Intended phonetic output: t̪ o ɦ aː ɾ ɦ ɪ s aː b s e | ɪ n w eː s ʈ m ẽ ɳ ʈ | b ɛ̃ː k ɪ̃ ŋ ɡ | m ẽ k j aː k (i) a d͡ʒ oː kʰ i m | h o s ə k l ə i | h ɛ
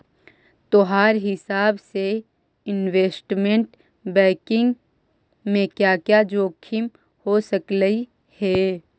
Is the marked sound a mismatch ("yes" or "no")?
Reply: yes